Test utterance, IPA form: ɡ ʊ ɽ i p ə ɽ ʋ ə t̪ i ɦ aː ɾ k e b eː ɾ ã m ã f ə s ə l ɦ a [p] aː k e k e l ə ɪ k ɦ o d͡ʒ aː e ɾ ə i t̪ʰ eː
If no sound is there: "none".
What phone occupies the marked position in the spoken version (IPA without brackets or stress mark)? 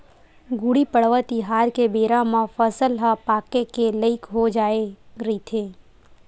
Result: p